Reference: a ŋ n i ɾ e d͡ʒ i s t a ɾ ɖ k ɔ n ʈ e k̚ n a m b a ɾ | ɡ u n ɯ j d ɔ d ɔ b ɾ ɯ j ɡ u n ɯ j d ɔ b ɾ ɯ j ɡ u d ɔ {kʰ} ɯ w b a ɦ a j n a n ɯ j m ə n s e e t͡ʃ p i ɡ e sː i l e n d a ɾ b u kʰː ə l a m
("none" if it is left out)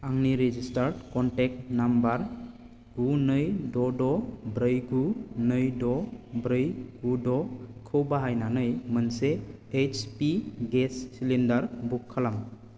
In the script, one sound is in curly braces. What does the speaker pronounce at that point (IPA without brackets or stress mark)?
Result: kʰ